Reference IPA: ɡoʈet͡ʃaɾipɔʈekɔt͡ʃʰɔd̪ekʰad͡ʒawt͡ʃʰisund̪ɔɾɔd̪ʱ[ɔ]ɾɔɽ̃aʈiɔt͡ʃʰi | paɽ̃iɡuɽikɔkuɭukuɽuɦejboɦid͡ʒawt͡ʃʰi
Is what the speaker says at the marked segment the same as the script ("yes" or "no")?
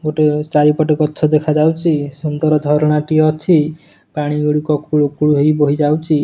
yes